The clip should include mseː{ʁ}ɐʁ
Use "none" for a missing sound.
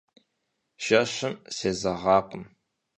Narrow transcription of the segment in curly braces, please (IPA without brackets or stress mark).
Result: z